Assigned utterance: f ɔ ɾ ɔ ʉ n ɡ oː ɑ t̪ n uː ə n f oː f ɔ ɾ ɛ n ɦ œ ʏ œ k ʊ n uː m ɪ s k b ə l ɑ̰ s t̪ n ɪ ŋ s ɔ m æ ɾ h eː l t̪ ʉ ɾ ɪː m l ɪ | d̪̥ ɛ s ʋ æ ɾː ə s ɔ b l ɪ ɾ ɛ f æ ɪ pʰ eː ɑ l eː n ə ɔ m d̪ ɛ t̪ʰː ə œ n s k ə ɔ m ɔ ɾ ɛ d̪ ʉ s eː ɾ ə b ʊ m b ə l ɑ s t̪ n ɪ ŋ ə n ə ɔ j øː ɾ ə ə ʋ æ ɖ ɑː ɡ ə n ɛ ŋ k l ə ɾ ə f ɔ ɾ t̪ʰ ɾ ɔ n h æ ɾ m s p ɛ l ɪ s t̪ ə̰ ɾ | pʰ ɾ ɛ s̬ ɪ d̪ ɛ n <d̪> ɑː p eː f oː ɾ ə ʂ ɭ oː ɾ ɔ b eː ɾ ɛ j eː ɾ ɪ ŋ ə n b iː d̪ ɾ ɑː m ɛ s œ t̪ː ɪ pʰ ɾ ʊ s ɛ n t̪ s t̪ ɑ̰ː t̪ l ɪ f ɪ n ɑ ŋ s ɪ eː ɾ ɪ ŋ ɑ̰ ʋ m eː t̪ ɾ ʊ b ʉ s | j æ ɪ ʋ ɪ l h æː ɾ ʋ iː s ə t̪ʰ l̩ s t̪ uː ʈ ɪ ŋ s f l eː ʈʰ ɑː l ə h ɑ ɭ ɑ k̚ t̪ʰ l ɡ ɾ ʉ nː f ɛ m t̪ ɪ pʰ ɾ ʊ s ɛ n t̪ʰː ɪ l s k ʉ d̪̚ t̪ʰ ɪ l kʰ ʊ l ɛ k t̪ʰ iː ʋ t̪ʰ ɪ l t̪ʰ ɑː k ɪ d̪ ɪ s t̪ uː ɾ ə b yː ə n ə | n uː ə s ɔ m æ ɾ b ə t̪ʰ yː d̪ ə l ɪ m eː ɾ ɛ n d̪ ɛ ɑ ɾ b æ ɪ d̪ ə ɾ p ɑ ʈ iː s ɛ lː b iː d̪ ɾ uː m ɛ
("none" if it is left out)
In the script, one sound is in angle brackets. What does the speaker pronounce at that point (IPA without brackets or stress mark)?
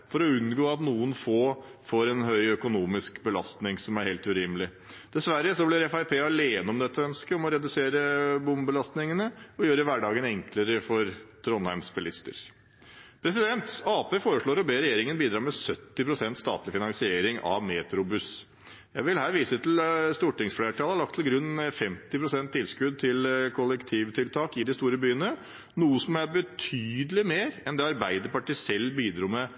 t̪